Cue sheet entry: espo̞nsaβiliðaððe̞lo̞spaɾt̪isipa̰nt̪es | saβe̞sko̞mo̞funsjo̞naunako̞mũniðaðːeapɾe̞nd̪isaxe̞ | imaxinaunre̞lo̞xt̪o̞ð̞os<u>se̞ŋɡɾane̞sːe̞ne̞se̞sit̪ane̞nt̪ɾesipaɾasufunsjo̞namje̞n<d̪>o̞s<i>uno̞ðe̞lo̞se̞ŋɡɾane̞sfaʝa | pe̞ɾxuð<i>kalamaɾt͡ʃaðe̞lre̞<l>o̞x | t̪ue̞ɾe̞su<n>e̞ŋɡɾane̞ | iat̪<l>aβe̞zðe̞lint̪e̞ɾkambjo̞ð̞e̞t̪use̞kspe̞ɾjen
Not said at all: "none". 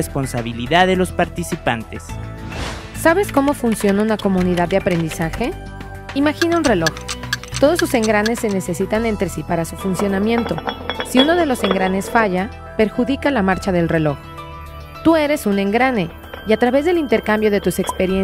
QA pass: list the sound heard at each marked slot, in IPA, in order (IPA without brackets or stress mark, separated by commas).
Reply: u, t̪, i, i, l, n, ɾ